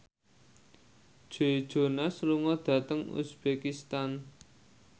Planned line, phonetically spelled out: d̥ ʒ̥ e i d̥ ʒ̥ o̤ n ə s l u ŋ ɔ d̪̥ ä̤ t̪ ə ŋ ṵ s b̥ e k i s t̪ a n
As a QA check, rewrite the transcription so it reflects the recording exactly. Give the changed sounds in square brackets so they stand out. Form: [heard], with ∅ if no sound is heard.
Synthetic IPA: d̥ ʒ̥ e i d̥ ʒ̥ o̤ n [a] s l u ŋ ɔ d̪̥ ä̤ t̪ ə ŋ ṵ s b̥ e k i s t̪ a n